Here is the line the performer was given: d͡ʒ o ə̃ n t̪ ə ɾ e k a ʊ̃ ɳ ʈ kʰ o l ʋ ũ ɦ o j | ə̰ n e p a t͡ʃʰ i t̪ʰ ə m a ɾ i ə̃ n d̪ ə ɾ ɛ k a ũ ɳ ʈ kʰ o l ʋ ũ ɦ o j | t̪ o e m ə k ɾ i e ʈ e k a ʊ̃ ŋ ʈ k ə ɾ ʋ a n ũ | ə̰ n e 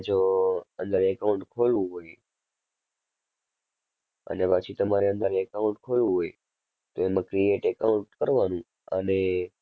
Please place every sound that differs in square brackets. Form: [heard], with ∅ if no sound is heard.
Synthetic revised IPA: d͡ʒ o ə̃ n [d̪] ə ɾ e k a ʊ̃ ɳ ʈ kʰ o l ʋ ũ ɦ o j | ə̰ n e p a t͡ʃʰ i [t̪] ə m a ɾ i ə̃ n d̪ ə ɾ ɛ k a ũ ɳ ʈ kʰ o l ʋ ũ ɦ o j | t̪ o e m ə k ɾ i e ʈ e k a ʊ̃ [ɳ] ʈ k ə ɾ ʋ a n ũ | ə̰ n e

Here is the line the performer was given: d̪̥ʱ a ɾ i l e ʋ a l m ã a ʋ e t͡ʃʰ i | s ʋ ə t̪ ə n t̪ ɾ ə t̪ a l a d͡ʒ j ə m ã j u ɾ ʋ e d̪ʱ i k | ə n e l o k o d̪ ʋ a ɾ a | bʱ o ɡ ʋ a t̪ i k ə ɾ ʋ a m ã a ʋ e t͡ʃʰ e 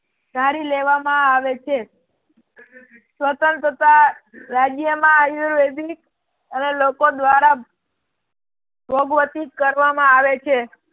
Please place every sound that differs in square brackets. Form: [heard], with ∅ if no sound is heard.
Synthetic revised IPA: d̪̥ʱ a ɾ i l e ʋ a [∅] m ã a ʋ e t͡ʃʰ [e] | s ʋ ə t̪ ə n t̪ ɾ ə t̪ a [ɾ] a d͡ʒ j ə m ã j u ɾ ʋ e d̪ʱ i k | ə n e l o k o d̪ ʋ a ɾ a | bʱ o ɡ ʋ [ə] t̪ i k ə ɾ ʋ a m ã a ʋ e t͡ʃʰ e

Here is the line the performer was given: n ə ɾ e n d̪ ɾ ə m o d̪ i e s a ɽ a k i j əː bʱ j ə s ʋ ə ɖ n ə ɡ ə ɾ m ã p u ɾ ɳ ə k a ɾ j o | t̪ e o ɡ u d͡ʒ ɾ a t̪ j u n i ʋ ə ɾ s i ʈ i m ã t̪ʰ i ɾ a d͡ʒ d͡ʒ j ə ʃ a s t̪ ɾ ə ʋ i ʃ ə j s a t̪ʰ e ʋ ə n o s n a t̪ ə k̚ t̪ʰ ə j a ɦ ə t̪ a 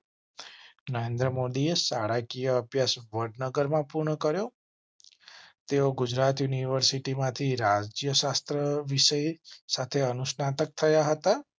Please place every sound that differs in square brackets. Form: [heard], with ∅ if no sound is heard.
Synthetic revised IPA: n ə ɾ e n d̪ ɾ ə m o d̪ i e s a ɽ a k i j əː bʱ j [a] s ʋ ə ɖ n ə ɡ ə ɾ m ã p u ɾ ɳ ə k [ə] ɾ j o | t̪ e o ɡ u d͡ʒ ɾ a t̪ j u n i ʋ ə ɾ s i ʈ i m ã t̪ʰ i ɾ a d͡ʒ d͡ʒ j ə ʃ a s t̪ ɾ ə ʋ i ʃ ə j s a t̪ʰ e [∅] ə n [u] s n a t̪ ə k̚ t̪ʰ ə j a ɦ ə t̪ a

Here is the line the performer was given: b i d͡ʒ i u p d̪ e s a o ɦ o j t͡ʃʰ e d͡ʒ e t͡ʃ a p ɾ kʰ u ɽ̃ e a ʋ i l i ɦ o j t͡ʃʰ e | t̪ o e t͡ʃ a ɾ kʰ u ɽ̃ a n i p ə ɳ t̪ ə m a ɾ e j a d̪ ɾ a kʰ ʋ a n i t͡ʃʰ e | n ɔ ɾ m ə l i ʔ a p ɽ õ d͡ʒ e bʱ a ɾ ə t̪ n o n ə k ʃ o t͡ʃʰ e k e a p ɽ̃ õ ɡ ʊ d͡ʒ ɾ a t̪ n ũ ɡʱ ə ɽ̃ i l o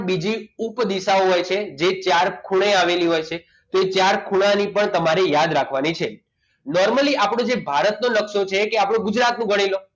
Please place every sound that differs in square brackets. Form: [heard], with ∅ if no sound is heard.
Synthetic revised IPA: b i d͡ʒ i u p d̪ [i] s a o ɦ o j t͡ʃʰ e d͡ʒ e t͡ʃ a [∅] ɾ kʰ u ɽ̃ e a ʋ [e] l i ɦ o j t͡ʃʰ e | t̪ o e t͡ʃ a ɾ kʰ u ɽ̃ a n i p ə ɳ t̪ ə m a ɾ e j a d̪ ɾ a kʰ ʋ a n i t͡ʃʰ e | n ɔ ɾ m ə l i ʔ a p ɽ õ d͡ʒ e bʱ a ɾ ə t̪ n o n ə k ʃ o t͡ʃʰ e k e a p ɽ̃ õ ɡ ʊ d͡ʒ ɾ a t̪ n ũ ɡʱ ə ɽ̃ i l o

